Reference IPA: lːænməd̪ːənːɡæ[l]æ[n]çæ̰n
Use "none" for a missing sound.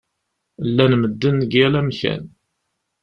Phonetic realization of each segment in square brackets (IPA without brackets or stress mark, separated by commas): l, m